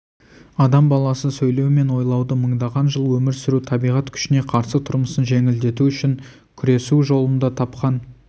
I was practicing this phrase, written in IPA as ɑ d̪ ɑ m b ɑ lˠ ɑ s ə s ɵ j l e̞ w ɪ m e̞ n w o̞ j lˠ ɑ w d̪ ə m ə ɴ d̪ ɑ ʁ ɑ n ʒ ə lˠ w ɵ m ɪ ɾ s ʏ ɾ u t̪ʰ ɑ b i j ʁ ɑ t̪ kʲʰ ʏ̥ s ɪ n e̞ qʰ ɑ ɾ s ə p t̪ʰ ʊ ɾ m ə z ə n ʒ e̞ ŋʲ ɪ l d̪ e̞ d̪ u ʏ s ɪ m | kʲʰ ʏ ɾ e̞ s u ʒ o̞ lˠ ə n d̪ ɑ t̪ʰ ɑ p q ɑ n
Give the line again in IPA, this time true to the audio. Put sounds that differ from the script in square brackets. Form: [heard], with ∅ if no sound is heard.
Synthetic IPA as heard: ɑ d̪ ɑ m b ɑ lˠ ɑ s ə s ɵ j l e̞ w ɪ m e̞ n w o̞ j lˠ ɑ w d̪ ə m ə ɴ d̪ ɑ ʁ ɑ n ʒ ə lˠ w ɵ m ɪ ɾ s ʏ ɾ u t̪ʰ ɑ b i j ʁ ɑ t̪ kʲʰ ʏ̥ [ʃ] ɪ n e̞ qʰ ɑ ɾ s ə [∅] t̪ʰ ʊ ɾ m ə [s] ə n ʒ e̞ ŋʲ ɪ l d̪ e̞ [t̪] u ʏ [ʃ] ɪ [ŋ] | kʲʰ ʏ ɾ e̞ s u ʒ o̞ lˠ ə n d̪ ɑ t̪ʰ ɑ p q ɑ n